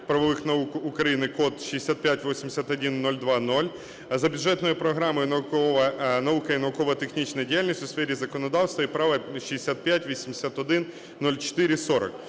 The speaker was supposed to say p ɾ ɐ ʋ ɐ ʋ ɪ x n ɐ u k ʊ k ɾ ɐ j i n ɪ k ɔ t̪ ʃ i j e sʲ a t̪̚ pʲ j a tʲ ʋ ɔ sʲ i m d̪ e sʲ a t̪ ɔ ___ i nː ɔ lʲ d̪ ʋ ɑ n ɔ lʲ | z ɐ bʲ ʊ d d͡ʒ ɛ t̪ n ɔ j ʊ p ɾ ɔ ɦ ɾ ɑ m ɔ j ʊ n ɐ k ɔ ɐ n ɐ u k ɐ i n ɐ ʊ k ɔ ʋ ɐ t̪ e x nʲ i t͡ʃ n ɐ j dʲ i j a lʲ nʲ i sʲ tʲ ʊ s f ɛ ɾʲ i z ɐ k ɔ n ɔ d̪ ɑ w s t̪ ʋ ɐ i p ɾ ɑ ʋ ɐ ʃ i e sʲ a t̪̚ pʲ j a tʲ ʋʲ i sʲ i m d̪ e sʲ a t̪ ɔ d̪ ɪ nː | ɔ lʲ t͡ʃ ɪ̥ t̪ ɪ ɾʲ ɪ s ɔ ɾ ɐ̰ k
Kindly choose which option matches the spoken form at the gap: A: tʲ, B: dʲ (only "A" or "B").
B